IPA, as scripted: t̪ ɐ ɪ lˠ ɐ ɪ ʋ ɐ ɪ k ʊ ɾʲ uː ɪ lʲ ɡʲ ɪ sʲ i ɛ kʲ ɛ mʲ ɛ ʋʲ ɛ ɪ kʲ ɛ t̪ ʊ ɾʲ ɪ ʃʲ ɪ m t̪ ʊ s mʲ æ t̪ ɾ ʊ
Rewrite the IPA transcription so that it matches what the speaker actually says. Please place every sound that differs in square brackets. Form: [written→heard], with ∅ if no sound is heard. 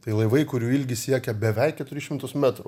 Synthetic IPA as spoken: t̪ ɐ ɪ lˠ ɐ ɪ ʋ ɐ ɪ k ʊ ɾʲ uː ɪ lʲ ɡʲ ɪ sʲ i ɛ kʲ ɛ [mʲ→bʲ] ɛ ʋʲ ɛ ɪ kʲ ɛ t̪ ʊ ɾʲ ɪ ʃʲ ɪ m t̪ ʊ s mʲ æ t̪ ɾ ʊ